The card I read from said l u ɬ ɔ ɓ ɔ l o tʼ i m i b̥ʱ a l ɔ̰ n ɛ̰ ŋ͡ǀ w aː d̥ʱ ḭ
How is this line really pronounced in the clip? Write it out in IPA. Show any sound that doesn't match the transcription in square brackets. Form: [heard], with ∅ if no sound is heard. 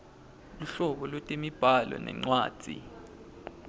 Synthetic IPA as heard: l u ɬ ɔ ɓ ɔ l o tʼ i m i b̥ʱ a l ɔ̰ n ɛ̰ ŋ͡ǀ w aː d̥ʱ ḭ